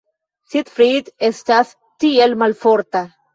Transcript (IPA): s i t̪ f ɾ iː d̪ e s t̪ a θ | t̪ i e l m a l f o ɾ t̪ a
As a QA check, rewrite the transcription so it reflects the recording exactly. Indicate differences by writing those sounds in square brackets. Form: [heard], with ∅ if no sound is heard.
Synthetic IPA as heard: s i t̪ f ɾ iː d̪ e s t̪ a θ | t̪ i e l m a l f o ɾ t̪ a